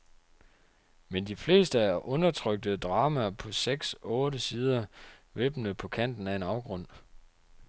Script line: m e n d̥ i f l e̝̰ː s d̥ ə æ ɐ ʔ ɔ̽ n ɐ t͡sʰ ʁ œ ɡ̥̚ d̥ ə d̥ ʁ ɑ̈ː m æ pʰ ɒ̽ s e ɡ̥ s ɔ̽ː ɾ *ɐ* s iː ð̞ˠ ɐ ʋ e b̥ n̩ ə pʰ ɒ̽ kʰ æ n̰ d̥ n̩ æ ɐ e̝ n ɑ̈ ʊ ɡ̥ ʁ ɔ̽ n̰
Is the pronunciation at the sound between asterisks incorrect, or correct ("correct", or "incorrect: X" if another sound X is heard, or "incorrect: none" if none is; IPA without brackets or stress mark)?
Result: incorrect: ə